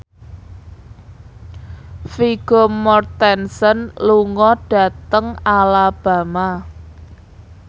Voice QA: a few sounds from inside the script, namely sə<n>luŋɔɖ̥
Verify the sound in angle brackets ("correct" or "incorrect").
correct